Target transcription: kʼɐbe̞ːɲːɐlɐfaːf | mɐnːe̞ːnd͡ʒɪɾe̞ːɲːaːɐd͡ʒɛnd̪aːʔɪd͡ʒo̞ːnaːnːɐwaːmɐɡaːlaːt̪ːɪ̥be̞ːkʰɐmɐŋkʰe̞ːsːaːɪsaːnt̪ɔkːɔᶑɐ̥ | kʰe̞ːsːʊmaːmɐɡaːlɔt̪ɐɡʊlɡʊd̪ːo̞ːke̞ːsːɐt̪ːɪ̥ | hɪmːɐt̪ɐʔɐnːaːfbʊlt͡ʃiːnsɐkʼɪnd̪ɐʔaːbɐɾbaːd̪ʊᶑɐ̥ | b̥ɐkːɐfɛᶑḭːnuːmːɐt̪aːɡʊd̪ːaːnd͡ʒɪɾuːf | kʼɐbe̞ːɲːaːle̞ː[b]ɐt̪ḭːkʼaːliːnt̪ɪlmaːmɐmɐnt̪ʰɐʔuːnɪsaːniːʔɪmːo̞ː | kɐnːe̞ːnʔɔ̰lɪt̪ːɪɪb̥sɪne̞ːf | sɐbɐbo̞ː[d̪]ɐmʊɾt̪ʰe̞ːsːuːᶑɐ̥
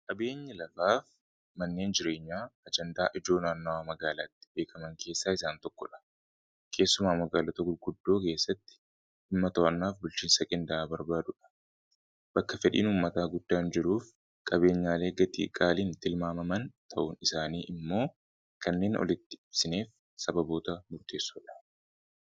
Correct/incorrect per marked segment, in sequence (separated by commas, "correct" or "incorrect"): incorrect, incorrect